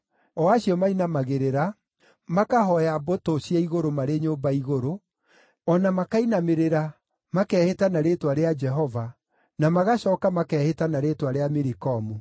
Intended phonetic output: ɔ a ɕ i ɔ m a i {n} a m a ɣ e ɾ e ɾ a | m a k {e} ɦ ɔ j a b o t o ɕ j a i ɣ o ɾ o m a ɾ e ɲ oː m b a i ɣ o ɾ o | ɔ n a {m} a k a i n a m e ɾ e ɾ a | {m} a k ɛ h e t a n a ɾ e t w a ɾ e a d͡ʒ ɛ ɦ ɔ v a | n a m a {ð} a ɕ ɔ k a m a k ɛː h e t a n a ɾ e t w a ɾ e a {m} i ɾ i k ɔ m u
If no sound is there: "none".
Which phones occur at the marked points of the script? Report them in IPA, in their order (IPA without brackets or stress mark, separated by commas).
n, a, m, m, ɣ, m